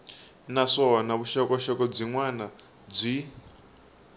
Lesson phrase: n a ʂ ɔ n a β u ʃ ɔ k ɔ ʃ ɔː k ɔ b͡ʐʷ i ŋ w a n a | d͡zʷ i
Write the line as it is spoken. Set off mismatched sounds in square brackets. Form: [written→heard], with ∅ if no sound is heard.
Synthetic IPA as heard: n a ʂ ɔ n a β u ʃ ɔ k ɔ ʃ [ɔː→ɔ] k ɔ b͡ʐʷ i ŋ w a n a | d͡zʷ i